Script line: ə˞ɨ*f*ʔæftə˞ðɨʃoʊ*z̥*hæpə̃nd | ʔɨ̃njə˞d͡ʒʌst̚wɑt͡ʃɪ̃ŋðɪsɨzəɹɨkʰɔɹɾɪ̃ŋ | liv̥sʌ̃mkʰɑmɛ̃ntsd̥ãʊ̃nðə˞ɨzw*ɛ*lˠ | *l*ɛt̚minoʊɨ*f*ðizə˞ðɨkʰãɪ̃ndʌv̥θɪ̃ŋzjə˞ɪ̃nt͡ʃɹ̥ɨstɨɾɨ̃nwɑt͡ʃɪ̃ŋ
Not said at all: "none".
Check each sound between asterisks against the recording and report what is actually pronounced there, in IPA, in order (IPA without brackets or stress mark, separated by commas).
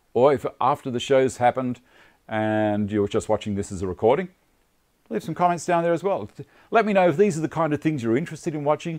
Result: f, z̥, ɛ, l, f